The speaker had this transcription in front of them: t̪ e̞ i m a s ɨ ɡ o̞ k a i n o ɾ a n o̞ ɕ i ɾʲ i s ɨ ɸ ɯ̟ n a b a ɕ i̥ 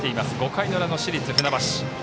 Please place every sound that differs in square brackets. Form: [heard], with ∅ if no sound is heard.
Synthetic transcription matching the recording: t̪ e̞ i m a s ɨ ɡ o̞ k a i n o ɾ a n o̞ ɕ i ɾʲ i [t͡s] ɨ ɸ ɯ̟ n a b a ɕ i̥